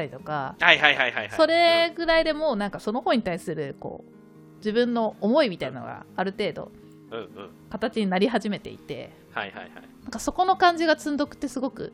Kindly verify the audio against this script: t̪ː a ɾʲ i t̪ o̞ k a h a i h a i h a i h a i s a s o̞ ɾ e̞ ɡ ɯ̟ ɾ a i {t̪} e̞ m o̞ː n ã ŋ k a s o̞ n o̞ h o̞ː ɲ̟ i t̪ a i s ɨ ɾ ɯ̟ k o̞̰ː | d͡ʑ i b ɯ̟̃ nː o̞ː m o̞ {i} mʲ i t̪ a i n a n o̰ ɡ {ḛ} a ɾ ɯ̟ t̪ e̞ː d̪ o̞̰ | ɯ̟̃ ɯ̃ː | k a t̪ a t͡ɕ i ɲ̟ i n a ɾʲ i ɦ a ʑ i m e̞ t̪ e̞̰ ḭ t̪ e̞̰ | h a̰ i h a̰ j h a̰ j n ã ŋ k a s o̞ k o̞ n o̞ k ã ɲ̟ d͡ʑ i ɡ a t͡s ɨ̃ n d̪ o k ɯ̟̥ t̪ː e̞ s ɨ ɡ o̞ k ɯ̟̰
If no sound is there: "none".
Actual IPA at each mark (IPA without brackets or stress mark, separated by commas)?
d̪, i, a̰